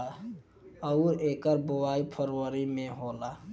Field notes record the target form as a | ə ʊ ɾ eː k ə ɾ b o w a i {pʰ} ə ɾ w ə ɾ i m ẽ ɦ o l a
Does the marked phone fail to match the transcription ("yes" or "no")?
no